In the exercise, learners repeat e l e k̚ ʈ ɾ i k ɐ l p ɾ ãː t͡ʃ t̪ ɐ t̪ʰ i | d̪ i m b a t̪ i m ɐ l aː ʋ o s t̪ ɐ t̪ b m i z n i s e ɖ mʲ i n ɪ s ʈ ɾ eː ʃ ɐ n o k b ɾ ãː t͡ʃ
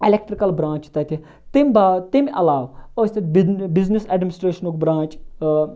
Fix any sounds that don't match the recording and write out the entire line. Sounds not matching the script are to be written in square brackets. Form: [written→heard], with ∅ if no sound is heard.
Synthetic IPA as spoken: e l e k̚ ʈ ɾ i k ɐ l [p→b] ɾ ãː t͡ʃ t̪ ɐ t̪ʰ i | [d̪→t̪] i m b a t̪ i m ɐ l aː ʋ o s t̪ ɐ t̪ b [m→b] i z n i s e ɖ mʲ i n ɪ s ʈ ɾ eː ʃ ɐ n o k b ɾ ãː t͡ʃ